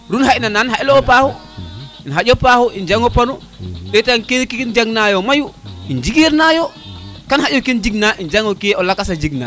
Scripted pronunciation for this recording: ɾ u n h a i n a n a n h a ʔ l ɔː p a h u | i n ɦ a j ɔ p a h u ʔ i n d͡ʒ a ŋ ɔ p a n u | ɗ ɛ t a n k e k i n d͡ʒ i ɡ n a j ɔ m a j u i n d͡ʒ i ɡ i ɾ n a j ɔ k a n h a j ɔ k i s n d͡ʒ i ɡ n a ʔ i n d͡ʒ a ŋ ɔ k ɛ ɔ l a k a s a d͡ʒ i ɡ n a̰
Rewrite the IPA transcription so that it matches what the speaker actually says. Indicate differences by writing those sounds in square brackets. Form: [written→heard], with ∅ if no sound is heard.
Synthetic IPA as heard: ɾ u n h a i n a n a n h a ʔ l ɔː p a h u | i n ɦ a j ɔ p a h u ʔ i n d͡ʒ a ŋ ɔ p a n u | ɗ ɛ t a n k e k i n d͡ʒ [i→a] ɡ n a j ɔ m a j u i n d͡ʒ i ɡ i ɾ n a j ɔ k a n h a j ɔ k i [s→∅] n d͡ʒ i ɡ n a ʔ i n d͡ʒ a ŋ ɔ k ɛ ɔ l a k a s a d͡ʒ i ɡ n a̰